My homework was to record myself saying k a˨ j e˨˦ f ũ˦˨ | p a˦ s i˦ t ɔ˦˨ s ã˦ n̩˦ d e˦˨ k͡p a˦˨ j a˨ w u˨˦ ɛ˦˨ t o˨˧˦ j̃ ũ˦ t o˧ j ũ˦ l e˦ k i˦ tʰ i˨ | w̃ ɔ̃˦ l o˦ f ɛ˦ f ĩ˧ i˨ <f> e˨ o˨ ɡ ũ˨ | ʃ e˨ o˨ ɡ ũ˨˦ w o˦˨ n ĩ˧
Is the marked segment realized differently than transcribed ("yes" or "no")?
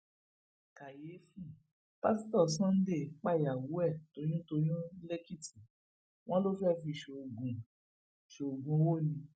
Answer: yes